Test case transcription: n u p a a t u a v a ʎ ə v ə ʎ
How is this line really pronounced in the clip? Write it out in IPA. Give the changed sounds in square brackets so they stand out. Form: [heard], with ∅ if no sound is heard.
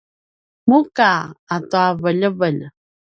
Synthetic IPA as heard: [m] u [k] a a t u a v [ə] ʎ ə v ə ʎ